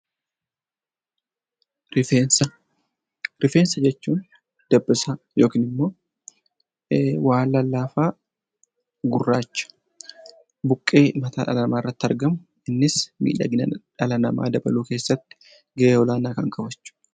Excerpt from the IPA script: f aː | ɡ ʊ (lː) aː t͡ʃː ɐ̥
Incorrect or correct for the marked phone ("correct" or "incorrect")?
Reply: incorrect